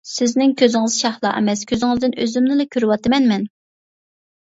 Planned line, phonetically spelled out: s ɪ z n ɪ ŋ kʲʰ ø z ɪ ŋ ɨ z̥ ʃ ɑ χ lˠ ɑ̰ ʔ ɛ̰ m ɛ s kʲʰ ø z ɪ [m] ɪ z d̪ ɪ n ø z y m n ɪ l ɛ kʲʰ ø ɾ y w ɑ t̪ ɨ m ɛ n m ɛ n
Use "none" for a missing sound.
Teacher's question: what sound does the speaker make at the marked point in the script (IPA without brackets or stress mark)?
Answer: ŋ